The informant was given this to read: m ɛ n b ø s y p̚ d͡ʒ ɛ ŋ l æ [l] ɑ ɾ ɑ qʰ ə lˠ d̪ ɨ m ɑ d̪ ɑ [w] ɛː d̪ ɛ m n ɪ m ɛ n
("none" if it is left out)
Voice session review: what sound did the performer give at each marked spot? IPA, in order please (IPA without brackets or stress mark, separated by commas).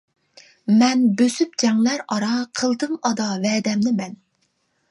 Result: ɾ, v